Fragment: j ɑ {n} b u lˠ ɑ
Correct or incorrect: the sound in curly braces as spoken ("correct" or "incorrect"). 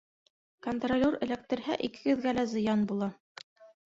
correct